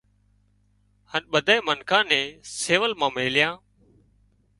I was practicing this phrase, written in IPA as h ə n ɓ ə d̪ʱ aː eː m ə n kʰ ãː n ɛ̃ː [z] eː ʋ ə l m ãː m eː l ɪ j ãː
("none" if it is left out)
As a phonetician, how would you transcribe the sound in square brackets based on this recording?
s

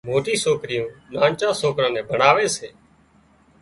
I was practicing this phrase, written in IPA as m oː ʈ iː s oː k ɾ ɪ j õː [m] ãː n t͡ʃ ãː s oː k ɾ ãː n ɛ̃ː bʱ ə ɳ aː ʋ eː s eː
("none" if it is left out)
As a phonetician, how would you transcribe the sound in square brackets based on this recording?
n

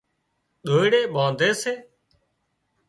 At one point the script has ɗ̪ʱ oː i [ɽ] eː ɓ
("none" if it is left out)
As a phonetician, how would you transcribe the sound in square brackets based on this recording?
ɽ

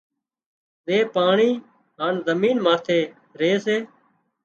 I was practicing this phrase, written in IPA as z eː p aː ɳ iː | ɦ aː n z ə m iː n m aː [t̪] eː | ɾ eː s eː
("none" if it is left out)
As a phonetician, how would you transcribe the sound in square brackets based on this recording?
t̪ʰ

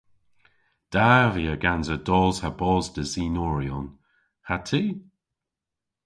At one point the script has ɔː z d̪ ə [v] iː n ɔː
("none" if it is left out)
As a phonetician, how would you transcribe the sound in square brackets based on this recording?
z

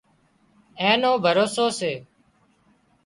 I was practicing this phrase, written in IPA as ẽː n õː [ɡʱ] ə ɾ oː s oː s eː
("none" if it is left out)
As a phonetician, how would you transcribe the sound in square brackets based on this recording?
bʱ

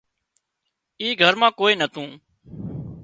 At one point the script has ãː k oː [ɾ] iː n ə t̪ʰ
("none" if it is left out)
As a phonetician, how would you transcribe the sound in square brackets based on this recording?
none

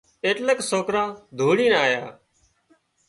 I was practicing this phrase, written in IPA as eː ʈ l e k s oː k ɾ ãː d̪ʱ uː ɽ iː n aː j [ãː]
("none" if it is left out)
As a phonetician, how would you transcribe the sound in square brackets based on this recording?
aː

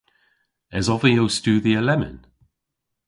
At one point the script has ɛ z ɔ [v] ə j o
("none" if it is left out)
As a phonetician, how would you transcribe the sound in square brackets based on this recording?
v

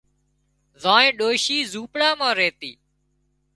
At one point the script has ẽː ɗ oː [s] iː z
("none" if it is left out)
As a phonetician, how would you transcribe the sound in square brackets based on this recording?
ʃ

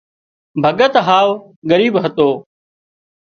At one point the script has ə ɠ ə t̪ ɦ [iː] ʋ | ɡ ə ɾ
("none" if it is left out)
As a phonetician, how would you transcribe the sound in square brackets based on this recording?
aː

